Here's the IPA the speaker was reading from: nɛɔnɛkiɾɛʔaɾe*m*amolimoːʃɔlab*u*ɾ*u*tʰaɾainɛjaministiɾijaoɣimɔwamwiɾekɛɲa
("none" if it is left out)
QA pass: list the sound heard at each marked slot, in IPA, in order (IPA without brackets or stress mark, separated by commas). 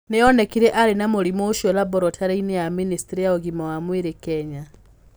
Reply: n, ɔ, ɔ